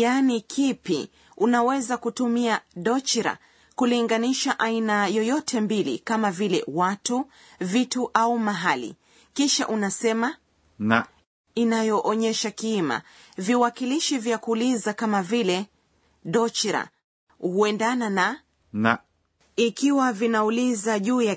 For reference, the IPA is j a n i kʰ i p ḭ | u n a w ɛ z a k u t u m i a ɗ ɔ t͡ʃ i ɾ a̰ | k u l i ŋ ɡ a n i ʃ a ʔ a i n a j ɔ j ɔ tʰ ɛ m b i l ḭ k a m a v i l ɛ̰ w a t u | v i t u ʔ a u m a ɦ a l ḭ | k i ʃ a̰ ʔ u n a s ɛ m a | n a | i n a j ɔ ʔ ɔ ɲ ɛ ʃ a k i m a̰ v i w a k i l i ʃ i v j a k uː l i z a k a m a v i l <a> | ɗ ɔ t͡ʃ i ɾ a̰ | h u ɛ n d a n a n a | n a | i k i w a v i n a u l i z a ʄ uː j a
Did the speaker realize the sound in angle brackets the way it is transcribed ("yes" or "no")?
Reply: no